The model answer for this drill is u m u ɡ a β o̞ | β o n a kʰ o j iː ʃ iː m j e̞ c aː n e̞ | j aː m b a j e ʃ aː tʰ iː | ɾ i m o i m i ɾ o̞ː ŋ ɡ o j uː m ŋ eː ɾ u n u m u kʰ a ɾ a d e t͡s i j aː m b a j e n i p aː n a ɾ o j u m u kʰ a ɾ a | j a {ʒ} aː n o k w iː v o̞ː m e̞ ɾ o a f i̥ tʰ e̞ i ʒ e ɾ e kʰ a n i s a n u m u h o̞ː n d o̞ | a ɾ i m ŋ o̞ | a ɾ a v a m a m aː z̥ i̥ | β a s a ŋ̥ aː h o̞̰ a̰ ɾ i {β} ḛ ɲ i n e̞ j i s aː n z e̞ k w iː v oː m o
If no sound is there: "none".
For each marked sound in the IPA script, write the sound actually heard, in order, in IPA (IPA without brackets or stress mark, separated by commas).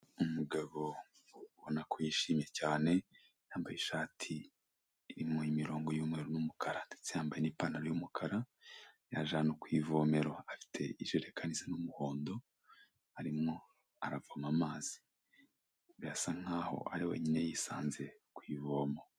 ʒ, w